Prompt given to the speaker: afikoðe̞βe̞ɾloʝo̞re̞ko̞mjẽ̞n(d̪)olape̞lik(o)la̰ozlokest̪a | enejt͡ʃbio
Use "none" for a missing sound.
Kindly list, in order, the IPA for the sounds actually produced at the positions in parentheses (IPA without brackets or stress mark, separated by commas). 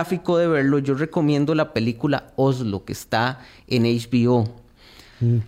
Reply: d̪, u